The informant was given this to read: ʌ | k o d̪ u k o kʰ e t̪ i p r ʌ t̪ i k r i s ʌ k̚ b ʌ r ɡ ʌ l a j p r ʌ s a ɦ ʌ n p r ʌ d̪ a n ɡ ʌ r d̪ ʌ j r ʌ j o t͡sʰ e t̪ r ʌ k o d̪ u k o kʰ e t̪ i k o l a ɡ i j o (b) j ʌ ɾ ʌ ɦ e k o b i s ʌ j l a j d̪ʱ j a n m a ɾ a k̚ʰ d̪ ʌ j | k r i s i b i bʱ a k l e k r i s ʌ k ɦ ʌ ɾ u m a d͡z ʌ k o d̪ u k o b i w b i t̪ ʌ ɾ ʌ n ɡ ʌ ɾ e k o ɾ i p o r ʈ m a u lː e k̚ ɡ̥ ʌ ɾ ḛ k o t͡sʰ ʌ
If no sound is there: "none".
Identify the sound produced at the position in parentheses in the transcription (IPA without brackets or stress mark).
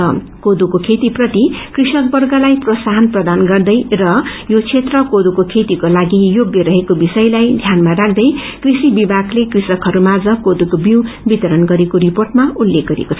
ɡ